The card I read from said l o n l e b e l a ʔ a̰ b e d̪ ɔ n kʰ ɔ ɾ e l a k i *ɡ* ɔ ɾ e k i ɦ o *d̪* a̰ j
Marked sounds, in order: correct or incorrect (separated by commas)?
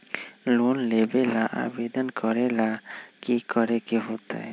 incorrect, incorrect